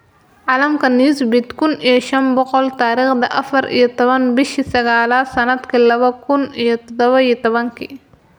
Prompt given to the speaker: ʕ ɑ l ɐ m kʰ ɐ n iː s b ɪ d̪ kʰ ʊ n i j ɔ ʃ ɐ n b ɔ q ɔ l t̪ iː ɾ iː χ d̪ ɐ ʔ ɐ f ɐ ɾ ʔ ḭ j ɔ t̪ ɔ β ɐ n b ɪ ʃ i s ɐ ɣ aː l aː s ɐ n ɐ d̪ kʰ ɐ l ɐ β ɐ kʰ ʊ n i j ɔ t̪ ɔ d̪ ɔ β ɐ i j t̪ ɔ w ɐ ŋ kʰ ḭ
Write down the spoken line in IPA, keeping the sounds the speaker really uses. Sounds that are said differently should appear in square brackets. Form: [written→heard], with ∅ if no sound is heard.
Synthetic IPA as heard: ʕ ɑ l ɐ m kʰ ɐ n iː s b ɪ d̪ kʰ ʊ n i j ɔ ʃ ɐ n b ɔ q ɔ l t̪ [iː→aː] ɾ iː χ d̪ ɐ ʔ ɐ f ɐ ɾ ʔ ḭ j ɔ t̪ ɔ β ɐ n b ɪ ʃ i s ɐ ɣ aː l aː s ɐ n ɐ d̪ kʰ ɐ l ɐ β ɐ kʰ ʊ n i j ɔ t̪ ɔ d̪ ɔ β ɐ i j t̪ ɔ [w→β] ɐ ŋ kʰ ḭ